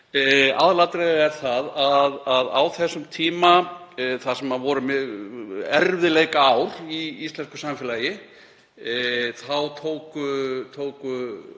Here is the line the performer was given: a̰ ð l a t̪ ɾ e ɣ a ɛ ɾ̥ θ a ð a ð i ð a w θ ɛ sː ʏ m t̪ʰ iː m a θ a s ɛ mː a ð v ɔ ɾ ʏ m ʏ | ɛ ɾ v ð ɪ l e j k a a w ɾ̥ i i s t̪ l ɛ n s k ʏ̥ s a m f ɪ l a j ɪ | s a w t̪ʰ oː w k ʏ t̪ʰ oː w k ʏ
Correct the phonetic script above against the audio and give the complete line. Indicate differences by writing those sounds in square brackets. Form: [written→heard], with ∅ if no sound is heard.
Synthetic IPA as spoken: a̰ ð l a t̪ ɾ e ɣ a ɛ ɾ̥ θ a ð a ð [i→a] ð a w θ ɛ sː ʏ m t̪ʰ iː m a θ a s ɛ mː a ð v ɔ ɾ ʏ m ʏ | ɛ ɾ v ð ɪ l e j k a a w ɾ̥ i i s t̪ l ɛ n s k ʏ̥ s a m f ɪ l a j ɪ | [s→θ] a w t̪ʰ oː w k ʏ t̪ʰ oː w k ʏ